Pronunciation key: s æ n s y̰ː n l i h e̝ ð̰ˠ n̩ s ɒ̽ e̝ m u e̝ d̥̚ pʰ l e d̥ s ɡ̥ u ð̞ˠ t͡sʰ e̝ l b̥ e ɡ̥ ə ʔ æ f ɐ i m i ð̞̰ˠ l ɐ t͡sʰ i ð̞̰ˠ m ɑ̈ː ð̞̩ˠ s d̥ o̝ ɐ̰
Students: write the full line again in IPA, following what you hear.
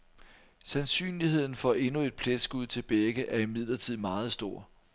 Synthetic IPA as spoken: s æ n s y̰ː n l i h e̝ ð̰ˠ n̩ f ɒ̽ e̝ n u e̝ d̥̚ pʰ l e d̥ s ɡ̥ u ð̞ˠ t͡sʰ e̝ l b̥ e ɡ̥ ə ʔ æ ɐ i m i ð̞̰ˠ l ɐ t͡sʰ i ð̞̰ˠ m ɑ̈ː ð̞̩ˠ s d̥ o̝ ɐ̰